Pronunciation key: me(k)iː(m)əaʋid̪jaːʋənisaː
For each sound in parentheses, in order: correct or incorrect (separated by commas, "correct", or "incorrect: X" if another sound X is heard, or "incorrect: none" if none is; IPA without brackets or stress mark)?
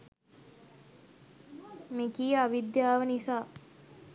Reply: correct, incorrect: none